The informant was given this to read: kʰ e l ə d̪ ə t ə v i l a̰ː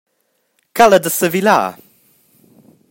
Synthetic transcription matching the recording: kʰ a l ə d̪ ə s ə v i l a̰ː